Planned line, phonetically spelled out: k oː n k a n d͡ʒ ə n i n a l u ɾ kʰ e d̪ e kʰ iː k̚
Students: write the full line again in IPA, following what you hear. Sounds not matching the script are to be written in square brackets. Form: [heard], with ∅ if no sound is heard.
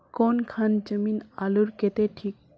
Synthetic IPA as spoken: k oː n [kʰ] a n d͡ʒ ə [m] i n a l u ɾ [k] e [t̪] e [ʈʰ] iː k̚